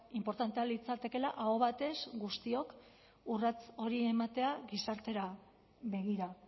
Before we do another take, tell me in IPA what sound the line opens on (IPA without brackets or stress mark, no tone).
i